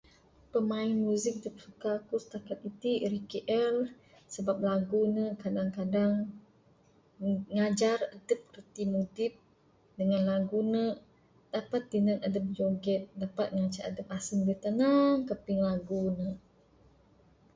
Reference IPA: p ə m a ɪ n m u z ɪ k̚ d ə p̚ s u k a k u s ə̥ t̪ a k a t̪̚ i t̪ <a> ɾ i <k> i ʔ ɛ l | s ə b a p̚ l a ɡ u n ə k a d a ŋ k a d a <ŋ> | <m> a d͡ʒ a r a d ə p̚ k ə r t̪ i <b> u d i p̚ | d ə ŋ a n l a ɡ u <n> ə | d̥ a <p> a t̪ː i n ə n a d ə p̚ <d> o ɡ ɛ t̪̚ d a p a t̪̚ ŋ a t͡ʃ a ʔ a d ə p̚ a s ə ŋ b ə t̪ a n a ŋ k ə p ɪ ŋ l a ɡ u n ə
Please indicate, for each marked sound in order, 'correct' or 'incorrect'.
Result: incorrect, correct, correct, incorrect, incorrect, correct, correct, incorrect

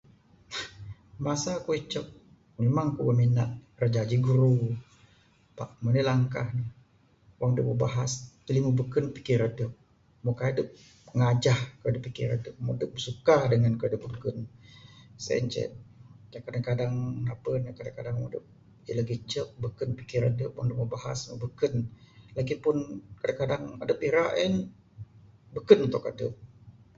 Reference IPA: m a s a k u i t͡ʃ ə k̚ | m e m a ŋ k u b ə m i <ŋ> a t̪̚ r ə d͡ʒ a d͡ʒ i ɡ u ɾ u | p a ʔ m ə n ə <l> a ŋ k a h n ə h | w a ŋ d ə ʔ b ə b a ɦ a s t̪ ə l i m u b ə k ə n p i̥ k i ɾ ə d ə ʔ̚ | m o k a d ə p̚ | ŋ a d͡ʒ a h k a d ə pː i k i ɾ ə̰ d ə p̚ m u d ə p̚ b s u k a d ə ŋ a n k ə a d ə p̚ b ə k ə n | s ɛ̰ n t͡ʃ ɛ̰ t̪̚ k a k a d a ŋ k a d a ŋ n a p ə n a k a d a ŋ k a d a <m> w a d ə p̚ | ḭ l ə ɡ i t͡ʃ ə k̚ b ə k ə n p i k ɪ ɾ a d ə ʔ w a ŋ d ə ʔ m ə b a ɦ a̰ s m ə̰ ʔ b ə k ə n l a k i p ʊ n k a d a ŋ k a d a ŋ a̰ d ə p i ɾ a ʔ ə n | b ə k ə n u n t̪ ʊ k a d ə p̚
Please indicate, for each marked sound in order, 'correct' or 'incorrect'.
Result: incorrect, correct, incorrect

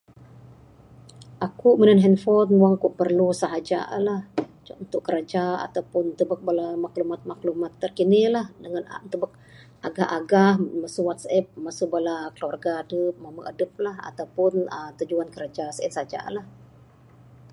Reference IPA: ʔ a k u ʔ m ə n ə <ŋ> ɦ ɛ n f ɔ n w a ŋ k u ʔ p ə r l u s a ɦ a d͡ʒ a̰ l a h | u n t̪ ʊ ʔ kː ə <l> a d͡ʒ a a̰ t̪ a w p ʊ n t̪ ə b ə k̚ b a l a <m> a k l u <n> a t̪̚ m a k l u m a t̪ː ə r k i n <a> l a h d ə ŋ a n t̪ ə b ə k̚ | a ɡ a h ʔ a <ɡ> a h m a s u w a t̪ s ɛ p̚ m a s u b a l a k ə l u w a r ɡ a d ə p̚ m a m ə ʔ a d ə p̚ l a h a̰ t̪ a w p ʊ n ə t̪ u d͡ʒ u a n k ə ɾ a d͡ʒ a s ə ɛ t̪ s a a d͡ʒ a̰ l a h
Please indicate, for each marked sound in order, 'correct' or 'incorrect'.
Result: incorrect, incorrect, correct, incorrect, incorrect, correct

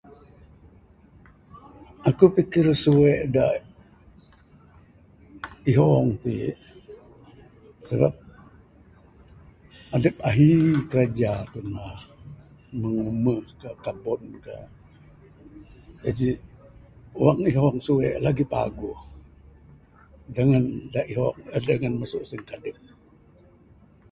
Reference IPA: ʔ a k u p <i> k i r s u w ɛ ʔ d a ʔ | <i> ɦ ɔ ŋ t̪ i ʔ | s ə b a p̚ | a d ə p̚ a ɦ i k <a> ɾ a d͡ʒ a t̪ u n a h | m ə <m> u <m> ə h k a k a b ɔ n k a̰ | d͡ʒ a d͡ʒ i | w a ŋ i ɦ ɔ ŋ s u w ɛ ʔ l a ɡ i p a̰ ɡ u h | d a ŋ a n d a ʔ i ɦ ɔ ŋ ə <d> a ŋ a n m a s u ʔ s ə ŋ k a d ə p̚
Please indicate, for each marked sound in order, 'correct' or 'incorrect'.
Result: correct, correct, incorrect, incorrect, correct, correct

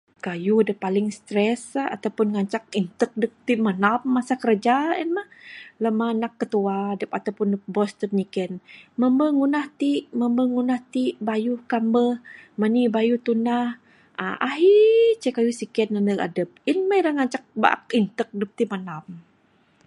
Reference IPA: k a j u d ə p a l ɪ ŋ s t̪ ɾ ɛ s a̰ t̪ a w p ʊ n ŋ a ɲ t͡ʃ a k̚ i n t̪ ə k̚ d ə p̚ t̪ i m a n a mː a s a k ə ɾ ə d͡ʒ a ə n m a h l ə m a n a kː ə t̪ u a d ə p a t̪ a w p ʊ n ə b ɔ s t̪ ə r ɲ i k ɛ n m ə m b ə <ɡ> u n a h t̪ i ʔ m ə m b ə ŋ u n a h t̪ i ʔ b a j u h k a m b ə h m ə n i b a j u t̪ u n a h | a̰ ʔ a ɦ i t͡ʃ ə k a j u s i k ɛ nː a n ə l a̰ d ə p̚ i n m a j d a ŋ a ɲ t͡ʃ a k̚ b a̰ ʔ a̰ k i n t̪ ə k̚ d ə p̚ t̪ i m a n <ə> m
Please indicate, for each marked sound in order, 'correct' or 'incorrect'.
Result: incorrect, incorrect

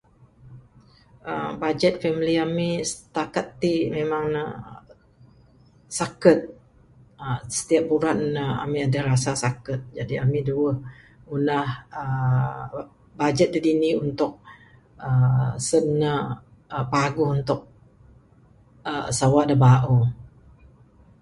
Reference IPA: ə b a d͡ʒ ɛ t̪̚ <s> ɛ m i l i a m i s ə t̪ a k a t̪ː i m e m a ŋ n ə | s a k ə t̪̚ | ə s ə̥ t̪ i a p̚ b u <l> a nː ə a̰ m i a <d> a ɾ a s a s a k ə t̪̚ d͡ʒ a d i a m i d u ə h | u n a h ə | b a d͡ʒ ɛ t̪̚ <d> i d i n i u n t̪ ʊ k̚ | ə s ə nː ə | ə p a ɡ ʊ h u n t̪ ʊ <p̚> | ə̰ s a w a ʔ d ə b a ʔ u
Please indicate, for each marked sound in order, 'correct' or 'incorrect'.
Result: incorrect, incorrect, correct, correct, incorrect

